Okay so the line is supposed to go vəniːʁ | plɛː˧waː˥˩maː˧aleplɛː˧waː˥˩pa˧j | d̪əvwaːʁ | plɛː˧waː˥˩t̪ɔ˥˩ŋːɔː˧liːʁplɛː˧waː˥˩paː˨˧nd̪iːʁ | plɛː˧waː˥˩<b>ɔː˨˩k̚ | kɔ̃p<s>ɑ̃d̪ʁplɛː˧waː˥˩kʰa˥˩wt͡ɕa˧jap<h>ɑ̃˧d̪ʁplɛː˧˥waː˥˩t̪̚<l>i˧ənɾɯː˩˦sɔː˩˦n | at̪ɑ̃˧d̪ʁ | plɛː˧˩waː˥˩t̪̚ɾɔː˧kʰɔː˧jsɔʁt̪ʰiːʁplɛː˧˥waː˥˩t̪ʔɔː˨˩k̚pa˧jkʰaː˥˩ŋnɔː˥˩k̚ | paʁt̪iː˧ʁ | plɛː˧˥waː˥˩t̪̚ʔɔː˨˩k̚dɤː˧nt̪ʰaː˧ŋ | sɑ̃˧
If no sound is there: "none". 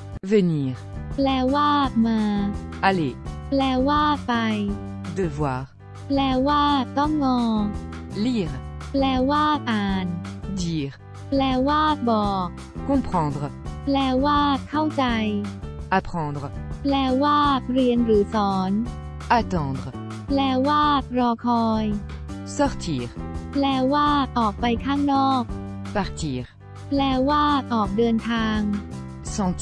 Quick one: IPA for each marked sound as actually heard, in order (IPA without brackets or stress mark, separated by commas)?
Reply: b, χ, χ, ɾ